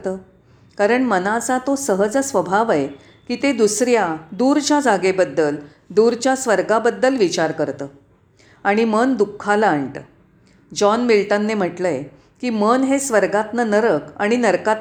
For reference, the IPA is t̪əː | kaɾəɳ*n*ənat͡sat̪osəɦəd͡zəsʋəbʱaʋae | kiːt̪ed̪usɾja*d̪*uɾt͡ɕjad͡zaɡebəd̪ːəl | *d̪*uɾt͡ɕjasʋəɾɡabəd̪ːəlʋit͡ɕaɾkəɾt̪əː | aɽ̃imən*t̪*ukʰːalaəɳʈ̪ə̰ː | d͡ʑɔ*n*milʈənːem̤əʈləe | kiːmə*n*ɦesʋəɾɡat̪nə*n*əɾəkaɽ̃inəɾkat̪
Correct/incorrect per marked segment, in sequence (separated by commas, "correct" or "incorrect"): incorrect, correct, correct, incorrect, correct, correct, correct